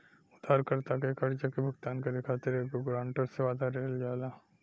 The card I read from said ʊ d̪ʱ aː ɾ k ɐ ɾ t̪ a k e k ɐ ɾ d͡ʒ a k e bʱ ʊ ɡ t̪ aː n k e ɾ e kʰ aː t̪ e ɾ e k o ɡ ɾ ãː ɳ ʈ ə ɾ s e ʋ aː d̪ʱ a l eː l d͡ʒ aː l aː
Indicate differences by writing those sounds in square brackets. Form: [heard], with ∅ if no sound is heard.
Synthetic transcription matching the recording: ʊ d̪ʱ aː ɾ k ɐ ɾ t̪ a k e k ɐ ɾ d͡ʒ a k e bʱ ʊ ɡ t̪ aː n k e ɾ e kʰ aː t̪ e ɾ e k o ɡ ɾ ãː ɳ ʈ ə ɾ s e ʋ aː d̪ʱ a [ɾ] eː l d͡ʒ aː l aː